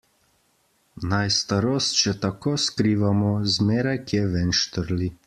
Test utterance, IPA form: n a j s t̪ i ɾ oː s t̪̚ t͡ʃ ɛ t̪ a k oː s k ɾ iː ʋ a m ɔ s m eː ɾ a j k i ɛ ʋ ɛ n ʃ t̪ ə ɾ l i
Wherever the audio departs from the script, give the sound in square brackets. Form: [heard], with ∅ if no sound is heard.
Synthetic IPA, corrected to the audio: n a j s t̪ [a] ɾ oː s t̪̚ t͡ʃ ɛ t̪ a k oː s k ɾ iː ʋ a m ɔ [z] m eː ɾ a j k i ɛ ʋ ɛ n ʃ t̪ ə ɾ l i

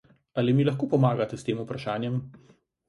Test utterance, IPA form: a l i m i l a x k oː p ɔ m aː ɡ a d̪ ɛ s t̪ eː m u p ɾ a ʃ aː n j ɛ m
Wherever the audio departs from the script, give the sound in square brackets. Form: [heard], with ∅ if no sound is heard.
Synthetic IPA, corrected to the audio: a l i m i l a x k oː p ɔ m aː ɡ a [t̪] ɛ s t̪ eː m u p ɾ a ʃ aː n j ɛ m

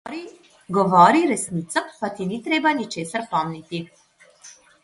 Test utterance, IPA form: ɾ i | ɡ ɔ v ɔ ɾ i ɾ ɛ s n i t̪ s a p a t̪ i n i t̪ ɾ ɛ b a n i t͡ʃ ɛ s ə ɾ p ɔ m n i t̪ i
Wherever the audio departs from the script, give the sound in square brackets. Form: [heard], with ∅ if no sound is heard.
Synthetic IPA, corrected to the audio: ɾ i | ɡ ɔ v ɔ ɾ i ɾ ɛ s n i t̪ s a p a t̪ i n i t̪ ɾ ɛ b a n i t͡ʃ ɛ s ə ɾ p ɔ m n i t̪ i

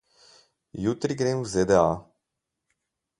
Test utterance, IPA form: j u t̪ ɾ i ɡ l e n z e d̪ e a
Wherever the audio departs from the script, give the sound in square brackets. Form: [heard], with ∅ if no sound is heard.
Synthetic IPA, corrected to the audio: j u t̪ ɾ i ɡ [ɾ] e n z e d̪ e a

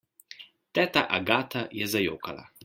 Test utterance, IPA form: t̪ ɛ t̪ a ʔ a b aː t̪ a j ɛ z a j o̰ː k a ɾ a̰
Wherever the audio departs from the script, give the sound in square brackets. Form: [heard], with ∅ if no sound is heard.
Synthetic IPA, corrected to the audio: t̪ ɛ t̪ a ʔ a [ɡ] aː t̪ a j ɛ z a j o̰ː k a [l] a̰

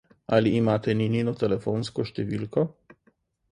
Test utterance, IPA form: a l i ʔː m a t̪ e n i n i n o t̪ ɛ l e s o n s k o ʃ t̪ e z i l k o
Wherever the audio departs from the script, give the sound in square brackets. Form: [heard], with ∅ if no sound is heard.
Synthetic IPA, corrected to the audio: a l i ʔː m a t̪ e n i n i n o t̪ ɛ l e [f] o n s k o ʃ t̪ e [v] i l k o

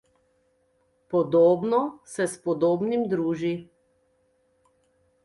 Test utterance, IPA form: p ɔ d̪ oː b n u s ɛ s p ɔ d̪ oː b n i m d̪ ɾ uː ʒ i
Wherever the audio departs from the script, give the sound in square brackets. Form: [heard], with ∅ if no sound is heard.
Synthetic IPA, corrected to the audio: p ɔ d̪ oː b n [ɔ] s ɛ s p ɔ d̪ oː b n i m d̪ ɾ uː ʒ i

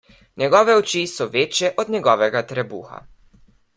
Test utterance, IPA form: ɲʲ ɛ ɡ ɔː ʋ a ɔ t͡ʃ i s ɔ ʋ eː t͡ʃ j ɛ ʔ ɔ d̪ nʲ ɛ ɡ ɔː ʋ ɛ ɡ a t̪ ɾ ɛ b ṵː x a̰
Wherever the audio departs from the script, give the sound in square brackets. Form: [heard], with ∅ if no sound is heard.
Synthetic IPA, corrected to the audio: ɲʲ ɛ ɡ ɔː ʋ [ɛ] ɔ t͡ʃ i s ɔ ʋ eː t͡ʃ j ɛ ʔ ɔ d̪ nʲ ɛ ɡ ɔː ʋ ɛ ɡ a t̪ ɾ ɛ b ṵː x a̰

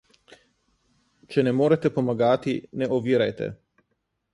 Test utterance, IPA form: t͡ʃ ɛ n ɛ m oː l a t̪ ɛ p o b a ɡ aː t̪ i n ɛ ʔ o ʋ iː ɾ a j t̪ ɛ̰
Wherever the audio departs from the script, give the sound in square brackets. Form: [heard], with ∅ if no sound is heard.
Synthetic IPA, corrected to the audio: t͡ʃ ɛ n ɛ m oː [ɾ] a t̪ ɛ p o [m] a ɡ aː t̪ i n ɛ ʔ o ʋ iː ɾ a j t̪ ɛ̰

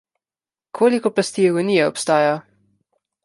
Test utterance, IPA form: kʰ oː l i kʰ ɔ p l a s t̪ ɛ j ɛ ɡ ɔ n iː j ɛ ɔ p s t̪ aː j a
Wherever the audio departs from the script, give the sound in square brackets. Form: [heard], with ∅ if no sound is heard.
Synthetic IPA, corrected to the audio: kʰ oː l i [k] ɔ p l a s t̪ [i] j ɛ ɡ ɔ n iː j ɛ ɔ p s t̪ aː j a

